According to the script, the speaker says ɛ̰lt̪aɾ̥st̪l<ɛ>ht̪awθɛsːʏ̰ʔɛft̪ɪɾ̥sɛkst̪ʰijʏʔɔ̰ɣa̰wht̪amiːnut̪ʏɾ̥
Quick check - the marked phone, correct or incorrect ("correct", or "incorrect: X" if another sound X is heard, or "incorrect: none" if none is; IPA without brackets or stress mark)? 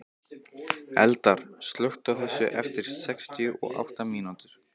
incorrect: œ